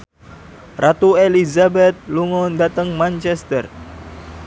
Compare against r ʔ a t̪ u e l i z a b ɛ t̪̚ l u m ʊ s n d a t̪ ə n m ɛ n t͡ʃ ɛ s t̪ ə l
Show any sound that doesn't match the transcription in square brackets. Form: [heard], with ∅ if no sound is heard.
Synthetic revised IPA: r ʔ a t̪ u e l i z a b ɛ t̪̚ l u [ŋ] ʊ [∅] n d a t̪ ə [ŋ] m [a] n t͡ʃ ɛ s t̪ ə [r]